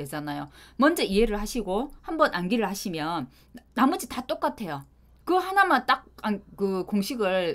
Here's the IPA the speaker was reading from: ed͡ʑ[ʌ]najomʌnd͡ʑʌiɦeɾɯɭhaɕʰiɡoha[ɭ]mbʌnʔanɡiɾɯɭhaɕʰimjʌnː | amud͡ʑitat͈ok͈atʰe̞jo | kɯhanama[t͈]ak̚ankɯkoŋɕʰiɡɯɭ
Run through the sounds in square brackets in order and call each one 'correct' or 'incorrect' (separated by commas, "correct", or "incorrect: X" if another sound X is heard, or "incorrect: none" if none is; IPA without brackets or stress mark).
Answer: incorrect: a, incorrect: none, correct